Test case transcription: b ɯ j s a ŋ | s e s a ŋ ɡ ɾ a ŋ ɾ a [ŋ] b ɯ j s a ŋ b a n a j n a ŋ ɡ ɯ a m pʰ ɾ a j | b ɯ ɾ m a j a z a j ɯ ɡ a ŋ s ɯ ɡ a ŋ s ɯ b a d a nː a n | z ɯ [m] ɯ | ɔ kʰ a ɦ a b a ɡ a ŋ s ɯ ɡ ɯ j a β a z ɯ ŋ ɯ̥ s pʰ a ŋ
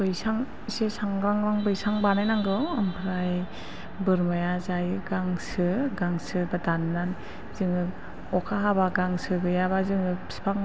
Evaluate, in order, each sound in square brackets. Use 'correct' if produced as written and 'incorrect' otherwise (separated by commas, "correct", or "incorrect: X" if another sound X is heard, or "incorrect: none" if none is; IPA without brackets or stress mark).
correct, incorrect: ŋ